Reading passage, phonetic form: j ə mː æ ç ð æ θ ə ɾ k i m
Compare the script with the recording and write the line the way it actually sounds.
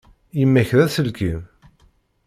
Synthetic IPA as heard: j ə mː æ ç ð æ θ ə l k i m